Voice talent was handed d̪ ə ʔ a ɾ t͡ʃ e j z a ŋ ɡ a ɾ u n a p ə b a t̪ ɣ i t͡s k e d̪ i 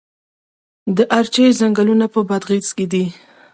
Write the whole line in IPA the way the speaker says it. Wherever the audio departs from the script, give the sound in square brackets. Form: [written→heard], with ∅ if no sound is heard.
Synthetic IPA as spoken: d̪ ə ʔ a ɾ t͡ʃ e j z a ŋ ɡ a [ɾ→l] u n a p ə b a [t̪→d̪] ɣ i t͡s k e d̪ i